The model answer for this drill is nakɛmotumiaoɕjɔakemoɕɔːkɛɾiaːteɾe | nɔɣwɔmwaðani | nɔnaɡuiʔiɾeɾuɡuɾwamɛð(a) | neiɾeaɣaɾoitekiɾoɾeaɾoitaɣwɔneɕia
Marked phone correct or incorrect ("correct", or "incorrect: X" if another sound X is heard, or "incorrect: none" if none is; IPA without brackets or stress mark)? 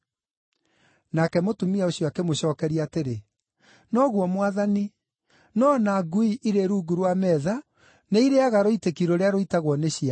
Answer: correct